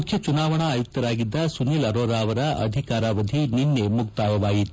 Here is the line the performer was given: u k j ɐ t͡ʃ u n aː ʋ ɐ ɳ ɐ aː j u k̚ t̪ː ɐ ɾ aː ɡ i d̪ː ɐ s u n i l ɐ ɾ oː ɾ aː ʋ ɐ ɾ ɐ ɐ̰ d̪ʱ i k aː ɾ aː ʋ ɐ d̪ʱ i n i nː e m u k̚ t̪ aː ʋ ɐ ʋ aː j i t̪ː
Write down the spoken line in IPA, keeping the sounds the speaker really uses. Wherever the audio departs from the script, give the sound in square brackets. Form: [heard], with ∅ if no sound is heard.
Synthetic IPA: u [kʰ] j ɐ t͡ʃ u n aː ʋ ɐ ɳ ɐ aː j u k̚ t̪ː ɐ ɾ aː ɡ i d̪ː ɐ s u n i l ɐ ɾ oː ɾ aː ʋ ɐ ɾ ɐ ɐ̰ d̪ʱ i k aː ɾ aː ʋ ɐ d̪ʱ i n i nː e m u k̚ t̪ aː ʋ ɐ ʋ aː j i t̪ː